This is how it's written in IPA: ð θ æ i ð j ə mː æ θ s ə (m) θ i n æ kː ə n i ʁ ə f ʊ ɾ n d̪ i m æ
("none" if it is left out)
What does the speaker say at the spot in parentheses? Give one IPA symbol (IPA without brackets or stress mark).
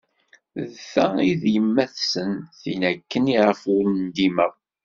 n